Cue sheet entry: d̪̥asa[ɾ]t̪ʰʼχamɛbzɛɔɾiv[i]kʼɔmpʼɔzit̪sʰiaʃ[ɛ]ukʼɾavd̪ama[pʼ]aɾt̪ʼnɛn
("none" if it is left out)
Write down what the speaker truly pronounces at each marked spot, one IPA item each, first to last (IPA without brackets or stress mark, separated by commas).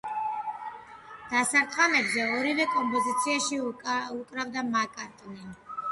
ɾ, ɛ, i, kʼ